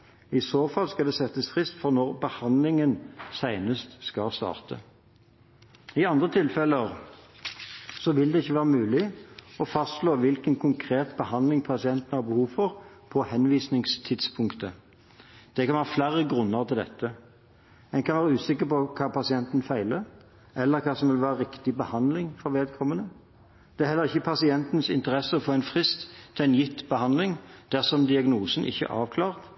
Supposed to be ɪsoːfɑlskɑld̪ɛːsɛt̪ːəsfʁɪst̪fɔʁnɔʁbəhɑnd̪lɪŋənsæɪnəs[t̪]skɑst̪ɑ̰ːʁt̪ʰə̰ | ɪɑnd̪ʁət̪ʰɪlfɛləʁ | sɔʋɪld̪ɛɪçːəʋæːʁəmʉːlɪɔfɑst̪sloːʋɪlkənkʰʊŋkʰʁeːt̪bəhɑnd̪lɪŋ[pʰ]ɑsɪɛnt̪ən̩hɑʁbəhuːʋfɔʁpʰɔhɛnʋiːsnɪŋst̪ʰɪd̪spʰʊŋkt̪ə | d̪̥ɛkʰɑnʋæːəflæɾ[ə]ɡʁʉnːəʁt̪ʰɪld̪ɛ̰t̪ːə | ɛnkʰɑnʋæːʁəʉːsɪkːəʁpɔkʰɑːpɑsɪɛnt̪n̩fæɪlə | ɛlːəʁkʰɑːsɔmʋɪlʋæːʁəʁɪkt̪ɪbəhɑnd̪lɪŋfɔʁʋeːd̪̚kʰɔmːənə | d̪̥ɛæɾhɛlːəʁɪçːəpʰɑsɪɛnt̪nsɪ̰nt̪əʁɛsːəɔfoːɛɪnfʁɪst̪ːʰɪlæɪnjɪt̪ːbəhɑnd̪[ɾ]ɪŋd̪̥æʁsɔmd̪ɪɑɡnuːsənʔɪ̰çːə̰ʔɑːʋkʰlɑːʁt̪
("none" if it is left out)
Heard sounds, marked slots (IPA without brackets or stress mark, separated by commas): t̪, pʰ, ə, l